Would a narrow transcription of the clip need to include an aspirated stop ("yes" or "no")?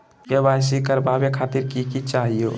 yes